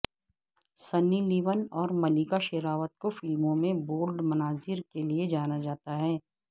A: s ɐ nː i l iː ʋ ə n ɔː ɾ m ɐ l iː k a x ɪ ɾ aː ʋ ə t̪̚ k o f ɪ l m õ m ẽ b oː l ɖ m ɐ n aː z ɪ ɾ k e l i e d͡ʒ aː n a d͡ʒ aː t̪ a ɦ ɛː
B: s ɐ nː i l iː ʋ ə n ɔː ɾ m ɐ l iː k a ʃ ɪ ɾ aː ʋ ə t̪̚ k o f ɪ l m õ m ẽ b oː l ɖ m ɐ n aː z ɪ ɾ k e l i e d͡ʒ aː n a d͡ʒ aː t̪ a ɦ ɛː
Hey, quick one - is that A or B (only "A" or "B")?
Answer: B